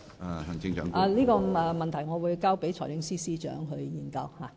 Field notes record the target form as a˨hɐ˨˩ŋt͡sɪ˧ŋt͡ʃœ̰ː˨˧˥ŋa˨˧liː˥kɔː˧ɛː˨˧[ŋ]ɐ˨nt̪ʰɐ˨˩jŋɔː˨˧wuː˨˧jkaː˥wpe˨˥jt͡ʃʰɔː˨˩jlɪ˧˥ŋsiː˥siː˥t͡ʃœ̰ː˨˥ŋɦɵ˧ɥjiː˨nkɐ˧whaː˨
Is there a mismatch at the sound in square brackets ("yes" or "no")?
yes